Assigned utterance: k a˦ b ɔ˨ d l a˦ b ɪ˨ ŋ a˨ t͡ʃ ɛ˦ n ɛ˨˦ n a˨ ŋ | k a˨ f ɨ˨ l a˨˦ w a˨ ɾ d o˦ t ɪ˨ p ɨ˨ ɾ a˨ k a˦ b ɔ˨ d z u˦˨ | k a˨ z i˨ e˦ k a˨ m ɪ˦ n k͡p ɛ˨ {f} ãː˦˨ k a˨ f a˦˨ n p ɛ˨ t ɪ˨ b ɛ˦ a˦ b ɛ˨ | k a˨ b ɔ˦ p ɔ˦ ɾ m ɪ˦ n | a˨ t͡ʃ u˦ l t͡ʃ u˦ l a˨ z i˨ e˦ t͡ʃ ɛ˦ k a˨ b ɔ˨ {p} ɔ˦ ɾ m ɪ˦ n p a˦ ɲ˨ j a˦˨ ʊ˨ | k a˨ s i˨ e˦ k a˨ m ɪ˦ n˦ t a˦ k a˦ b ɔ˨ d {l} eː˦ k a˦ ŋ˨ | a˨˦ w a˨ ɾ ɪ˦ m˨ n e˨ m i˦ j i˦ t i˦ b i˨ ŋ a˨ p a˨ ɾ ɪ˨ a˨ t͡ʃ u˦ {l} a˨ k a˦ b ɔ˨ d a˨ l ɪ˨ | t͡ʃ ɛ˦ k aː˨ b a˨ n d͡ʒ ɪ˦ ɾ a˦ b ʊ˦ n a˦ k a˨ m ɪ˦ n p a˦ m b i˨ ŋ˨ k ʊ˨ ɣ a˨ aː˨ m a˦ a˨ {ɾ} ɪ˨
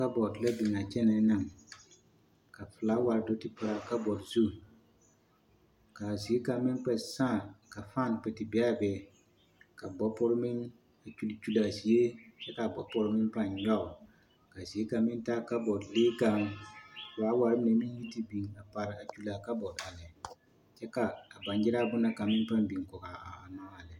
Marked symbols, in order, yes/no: no, yes, yes, yes, no

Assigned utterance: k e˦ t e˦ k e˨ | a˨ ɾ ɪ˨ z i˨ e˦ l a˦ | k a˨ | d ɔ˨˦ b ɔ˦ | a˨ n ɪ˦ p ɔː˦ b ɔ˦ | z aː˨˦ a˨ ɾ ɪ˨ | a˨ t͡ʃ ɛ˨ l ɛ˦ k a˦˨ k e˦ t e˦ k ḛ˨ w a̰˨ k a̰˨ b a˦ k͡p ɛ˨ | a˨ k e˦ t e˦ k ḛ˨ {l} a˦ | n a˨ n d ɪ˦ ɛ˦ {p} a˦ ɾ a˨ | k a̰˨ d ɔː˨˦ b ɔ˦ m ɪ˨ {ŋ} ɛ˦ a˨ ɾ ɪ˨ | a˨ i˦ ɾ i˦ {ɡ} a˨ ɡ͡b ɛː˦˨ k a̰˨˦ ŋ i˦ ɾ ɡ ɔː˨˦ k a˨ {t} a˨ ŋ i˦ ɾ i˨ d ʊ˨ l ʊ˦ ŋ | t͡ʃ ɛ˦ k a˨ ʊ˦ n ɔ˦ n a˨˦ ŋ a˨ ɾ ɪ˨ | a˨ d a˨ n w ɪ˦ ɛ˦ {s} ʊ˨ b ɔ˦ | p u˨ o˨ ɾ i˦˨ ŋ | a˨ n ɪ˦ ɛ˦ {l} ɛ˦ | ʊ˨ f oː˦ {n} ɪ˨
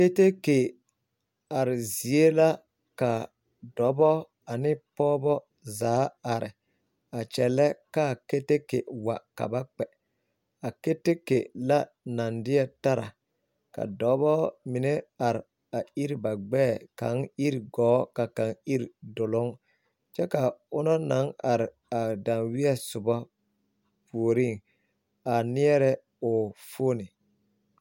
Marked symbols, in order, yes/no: yes, no, no, no, no, yes, no, yes

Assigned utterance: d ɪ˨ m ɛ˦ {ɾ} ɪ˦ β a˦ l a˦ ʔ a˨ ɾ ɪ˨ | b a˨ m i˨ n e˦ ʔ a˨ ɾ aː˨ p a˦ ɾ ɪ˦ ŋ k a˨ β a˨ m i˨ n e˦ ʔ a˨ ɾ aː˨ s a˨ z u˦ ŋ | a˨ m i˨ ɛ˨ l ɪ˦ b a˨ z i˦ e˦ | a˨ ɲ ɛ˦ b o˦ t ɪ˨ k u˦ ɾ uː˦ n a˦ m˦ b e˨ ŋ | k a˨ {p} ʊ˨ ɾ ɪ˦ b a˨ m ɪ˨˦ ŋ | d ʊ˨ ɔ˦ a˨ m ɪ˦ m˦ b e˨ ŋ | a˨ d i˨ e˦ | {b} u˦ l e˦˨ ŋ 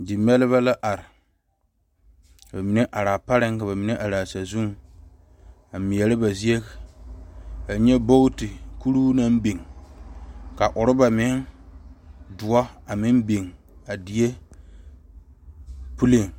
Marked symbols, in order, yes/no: no, no, no

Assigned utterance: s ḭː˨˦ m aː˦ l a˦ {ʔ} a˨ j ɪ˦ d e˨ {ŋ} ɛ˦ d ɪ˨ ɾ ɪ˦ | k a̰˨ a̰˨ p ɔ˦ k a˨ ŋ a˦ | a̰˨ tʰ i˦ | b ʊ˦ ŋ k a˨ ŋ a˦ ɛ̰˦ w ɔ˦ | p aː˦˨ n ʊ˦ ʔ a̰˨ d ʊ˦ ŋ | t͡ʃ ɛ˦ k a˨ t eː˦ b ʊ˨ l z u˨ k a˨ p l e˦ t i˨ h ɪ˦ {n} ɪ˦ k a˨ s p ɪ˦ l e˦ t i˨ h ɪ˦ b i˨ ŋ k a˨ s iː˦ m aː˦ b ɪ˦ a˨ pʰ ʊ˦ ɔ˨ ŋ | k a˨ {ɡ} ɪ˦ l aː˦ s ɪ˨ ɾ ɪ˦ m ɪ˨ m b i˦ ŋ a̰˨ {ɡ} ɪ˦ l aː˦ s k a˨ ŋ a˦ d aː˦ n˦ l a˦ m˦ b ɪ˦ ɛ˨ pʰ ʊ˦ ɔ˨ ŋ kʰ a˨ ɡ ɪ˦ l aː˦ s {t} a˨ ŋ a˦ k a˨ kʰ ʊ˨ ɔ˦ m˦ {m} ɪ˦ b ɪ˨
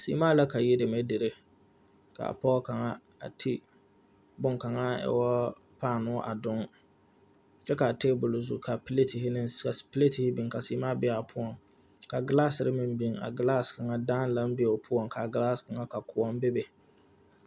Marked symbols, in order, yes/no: no, no, yes, yes, yes, no, no

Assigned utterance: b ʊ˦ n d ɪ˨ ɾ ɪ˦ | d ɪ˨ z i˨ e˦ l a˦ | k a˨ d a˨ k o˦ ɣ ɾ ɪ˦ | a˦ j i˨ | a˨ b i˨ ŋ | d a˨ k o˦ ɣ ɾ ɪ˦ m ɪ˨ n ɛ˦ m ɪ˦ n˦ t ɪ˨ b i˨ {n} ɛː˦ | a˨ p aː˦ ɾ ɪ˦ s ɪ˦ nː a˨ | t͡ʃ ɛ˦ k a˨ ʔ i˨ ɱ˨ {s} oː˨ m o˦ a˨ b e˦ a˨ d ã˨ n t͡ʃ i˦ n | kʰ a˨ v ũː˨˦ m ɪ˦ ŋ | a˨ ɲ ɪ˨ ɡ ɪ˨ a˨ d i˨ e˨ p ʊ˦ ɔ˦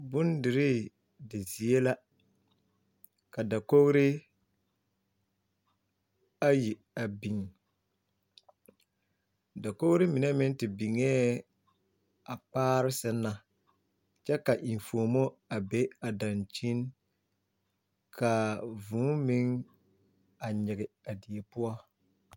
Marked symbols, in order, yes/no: no, no

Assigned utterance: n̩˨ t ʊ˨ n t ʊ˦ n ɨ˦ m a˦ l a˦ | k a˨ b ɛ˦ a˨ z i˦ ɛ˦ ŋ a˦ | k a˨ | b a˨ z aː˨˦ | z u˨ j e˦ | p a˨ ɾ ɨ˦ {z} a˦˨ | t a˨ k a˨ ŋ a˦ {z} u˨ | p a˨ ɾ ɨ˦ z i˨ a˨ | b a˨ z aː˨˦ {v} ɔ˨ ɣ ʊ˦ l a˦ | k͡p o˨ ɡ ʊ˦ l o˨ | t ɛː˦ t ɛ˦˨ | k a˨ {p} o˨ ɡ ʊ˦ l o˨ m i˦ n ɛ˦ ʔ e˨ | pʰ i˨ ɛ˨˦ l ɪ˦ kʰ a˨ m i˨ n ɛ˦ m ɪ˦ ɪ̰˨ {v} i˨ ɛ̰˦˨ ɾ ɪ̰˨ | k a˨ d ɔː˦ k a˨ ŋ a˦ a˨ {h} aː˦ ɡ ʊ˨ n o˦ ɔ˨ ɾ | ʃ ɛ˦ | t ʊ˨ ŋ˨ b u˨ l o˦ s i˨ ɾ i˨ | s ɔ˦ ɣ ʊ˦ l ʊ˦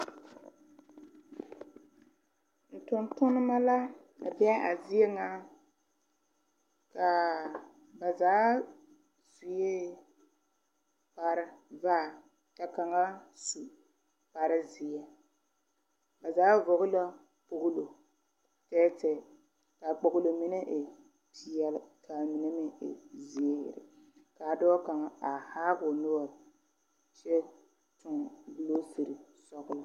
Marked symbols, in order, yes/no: no, no, yes, no, no, yes

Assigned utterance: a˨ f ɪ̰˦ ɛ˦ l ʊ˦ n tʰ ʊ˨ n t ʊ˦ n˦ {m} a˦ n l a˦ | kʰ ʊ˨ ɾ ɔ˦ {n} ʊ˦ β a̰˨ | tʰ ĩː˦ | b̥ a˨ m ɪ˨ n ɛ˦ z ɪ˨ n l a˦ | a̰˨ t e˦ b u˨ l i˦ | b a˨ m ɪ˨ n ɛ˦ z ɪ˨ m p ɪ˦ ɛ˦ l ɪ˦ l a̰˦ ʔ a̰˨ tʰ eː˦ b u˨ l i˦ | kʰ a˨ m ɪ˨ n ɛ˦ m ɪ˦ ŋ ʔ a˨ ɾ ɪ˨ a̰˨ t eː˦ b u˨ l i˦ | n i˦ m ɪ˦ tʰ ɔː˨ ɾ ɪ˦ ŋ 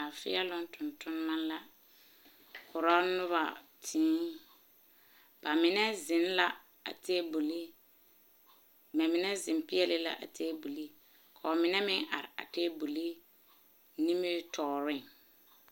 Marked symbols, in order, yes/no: yes, yes

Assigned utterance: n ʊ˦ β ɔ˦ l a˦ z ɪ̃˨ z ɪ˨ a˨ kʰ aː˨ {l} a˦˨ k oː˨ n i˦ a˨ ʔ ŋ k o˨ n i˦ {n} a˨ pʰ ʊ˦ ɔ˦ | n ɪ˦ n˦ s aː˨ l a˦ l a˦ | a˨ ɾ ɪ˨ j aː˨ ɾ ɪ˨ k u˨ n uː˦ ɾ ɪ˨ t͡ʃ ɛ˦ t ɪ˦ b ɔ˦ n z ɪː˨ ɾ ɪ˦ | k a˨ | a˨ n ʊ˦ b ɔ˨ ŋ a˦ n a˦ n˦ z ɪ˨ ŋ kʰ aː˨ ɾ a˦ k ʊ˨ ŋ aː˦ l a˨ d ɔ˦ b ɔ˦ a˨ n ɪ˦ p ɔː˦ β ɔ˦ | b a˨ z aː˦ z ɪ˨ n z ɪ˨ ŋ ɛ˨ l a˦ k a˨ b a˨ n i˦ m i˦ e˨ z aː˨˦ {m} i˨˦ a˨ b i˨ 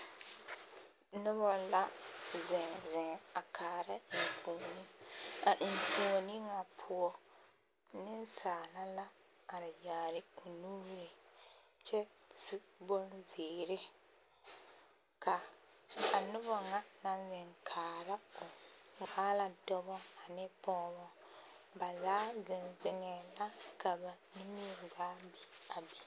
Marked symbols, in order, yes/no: no, no, no

